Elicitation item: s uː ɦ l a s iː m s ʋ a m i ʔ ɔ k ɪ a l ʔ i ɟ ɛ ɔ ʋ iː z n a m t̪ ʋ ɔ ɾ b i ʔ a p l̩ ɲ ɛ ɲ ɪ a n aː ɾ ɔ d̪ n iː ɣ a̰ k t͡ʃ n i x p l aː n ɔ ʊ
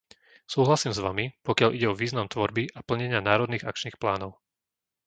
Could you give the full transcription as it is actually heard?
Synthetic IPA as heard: s uː ɦ l a s iː m z ʋ a m i p ɔ k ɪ a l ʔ i ɟ ɛ ɔ ʋ iː z n a m t̪ ʋ ɔ ɾ b i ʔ a p l̩ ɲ ɛ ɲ ɪ a n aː ɾ ɔ d̪ n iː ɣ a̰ k t͡ʃ n iː x p l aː n ɔ ʊ